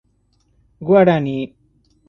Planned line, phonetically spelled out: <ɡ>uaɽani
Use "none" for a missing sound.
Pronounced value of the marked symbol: ɡ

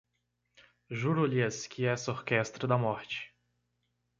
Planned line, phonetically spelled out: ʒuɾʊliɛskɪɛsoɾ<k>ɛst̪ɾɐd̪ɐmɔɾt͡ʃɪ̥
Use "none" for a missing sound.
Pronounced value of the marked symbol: k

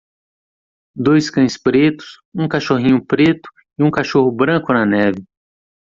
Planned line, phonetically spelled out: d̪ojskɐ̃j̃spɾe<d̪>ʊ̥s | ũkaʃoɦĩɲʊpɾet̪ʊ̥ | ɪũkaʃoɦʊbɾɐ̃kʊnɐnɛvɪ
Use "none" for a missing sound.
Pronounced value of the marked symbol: t̪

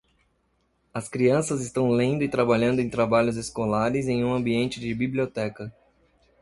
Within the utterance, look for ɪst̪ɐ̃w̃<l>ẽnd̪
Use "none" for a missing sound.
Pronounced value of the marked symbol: l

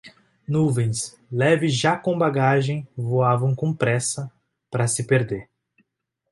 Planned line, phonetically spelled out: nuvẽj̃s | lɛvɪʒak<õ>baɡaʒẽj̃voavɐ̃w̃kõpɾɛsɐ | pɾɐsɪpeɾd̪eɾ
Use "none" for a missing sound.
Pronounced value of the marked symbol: õ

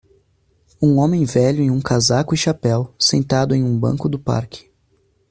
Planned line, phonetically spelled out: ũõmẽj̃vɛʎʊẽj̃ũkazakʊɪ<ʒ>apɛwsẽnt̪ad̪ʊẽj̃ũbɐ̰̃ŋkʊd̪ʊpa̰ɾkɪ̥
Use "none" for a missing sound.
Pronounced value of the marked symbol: ʃ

